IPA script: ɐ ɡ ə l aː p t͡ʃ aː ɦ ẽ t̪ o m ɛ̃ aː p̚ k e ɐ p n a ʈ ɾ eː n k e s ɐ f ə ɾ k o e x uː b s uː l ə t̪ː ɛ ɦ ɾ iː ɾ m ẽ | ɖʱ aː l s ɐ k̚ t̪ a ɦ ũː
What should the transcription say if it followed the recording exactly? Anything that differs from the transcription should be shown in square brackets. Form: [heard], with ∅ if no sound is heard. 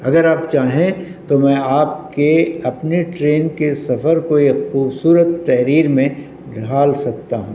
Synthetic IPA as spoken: ɐ ɡ ə [ɾ] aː p t͡ʃ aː ɦ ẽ t̪ o m ɛ̃ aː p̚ k e ɐ p n [e] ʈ ɾ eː n k e s ɐ f ə ɾ k o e x uː b s uː [ɾ] ə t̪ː ɛ ɦ ɾ iː ɾ m ẽ | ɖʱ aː l s ɐ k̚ t̪ a ɦ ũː

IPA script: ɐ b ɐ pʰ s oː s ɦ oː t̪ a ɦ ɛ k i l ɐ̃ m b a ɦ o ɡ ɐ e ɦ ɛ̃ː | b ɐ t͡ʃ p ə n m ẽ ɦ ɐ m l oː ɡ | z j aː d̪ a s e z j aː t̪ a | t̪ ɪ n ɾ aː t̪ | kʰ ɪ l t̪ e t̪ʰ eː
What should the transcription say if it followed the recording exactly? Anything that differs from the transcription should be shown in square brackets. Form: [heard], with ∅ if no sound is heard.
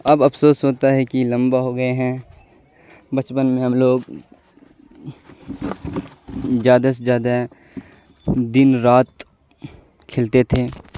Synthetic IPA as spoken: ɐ b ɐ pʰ s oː s ɦ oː t̪ a ɦ ɛ k i l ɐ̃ m b a ɦ o ɡ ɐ e ɦ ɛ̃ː | b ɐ t͡ʃ p ə n m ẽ ɦ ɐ m l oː ɡ | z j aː d̪ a s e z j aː [d̪] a | [d̪] ɪ n ɾ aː t̪ | kʰ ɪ l t̪ e t̪ʰ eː

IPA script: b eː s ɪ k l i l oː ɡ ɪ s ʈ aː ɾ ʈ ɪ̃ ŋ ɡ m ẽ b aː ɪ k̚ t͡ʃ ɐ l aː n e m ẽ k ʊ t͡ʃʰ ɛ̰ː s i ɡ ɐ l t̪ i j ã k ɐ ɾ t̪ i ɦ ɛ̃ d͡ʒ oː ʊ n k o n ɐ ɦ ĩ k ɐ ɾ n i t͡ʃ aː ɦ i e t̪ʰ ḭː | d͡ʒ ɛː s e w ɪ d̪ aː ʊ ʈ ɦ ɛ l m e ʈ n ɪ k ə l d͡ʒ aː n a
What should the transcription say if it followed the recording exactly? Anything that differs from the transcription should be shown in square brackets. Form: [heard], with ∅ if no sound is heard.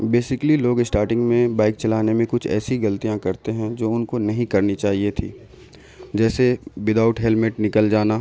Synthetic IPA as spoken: b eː s ɪ k l i l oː ɡ ɪ s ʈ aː ɾ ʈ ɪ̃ ŋ ɡ m ẽ b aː ɪ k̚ t͡ʃ ɐ l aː n e m ẽ k ʊ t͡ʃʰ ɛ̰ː s i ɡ ɐ l t̪ i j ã k ɐ ɾ t̪ [e] ɦ ɛ̃ d͡ʒ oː ʊ n k o n ɐ ɦ ĩ k ɐ ɾ n i t͡ʃ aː ɦ i e t̪ʰ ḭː | d͡ʒ ɛː s e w ɪ d̪ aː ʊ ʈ ɦ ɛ l m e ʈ n ɪ k ə l d͡ʒ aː n a

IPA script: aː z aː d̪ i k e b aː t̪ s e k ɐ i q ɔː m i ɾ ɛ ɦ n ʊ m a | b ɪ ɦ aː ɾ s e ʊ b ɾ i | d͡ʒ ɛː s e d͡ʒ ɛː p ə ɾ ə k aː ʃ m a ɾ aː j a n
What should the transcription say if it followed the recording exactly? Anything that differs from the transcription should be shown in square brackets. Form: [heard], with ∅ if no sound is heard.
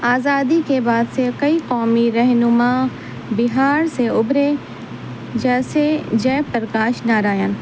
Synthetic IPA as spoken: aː z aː d̪ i k e b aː [d̪] s e k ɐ i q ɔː m i ɾ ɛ ɦ n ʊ m a | b ɪ ɦ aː ɾ s e ʊ b ɾ [e] | d͡ʒ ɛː s e d͡ʒ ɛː p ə ɾ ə k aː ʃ [n] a ɾ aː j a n

